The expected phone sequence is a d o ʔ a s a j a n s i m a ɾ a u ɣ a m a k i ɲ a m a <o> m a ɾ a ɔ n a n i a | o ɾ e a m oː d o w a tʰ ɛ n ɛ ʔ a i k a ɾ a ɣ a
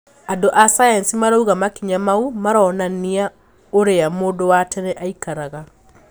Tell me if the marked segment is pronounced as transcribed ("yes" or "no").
no